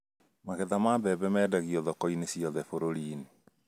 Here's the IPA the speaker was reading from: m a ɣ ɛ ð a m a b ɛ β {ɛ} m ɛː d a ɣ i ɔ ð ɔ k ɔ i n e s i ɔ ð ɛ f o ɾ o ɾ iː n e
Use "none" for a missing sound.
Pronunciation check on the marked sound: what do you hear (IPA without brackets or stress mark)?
ɛ